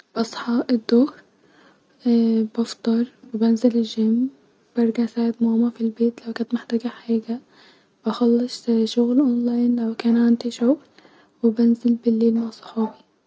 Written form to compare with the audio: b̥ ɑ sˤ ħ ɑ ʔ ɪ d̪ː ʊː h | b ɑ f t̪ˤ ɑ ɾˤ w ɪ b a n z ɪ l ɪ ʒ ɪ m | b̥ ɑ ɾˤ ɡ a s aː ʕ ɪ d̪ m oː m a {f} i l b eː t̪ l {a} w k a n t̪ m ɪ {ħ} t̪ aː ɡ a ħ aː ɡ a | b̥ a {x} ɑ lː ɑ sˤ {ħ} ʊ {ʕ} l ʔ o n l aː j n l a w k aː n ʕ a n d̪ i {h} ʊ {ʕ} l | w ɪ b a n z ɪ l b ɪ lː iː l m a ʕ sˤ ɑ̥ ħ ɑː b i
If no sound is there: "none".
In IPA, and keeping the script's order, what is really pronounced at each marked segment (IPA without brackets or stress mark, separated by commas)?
f, a, ħ, x, ʃ, ɣ, ʃ, ɣ